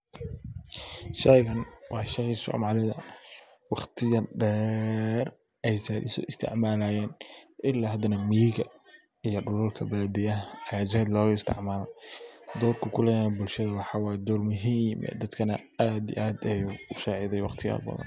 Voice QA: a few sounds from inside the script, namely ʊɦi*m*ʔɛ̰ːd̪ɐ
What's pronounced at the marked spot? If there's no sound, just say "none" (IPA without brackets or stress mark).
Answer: m